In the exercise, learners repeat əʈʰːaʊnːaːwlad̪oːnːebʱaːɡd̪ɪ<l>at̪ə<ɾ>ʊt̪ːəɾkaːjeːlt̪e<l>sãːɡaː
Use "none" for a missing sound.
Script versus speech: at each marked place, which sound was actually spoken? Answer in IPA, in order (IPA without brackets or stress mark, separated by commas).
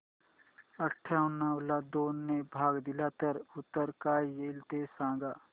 l, ɾ, none